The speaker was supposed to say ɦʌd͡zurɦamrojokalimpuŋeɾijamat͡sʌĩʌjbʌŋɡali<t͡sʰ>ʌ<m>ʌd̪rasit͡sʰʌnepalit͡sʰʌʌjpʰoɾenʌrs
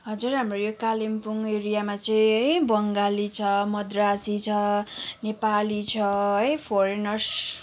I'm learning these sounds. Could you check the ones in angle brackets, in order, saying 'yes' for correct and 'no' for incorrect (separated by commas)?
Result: yes, yes